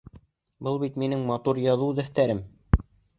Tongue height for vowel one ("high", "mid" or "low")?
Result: mid